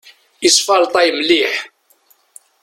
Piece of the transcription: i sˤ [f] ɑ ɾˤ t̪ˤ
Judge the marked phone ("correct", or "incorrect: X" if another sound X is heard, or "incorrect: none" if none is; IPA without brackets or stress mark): correct